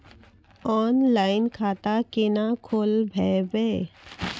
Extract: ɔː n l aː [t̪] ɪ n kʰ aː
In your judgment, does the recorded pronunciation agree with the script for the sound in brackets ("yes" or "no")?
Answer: no